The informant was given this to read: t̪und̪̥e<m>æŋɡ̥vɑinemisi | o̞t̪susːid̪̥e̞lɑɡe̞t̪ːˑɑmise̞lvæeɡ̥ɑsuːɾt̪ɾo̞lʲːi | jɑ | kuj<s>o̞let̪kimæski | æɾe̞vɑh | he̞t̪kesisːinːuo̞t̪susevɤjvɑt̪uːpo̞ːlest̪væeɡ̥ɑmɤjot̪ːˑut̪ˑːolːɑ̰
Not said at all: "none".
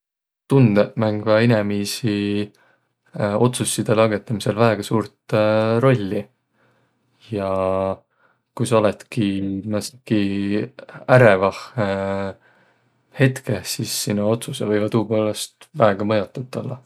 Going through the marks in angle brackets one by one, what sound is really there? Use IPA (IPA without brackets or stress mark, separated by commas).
m, s